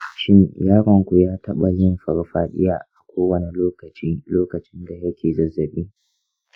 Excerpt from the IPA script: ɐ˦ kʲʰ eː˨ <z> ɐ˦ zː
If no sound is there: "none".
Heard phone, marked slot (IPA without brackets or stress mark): z